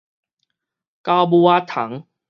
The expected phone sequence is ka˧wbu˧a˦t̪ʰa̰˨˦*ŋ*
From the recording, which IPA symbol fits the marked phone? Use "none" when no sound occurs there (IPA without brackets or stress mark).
ŋ